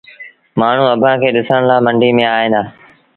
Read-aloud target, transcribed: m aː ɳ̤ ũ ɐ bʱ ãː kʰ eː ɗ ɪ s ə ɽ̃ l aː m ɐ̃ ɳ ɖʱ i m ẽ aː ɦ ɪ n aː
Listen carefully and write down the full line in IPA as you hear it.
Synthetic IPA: m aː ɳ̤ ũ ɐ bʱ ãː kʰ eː ɗ ɪ s ə ɽ̃ l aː m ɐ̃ ɳ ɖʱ i m ẽ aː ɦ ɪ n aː